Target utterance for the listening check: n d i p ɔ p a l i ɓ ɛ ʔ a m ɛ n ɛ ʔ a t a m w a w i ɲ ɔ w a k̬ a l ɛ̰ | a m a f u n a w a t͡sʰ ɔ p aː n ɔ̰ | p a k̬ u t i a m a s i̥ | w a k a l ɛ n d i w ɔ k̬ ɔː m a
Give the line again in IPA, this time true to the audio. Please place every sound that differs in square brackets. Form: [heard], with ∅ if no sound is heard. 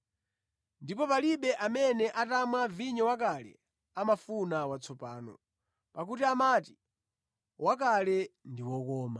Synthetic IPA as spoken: n d i p ɔ p a l i ɓ ɛ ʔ a m ɛ n ɛ ʔ a t a m w a [v] i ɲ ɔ w a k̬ a l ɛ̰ | a m a f u n a w a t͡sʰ ɔ p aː n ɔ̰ | p a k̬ u t i a m a [t] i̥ | w a k a l ɛ n d i w ɔ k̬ ɔː m a